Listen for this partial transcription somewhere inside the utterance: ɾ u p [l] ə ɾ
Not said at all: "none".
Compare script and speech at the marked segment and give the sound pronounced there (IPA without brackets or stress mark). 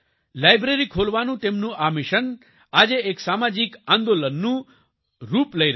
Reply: l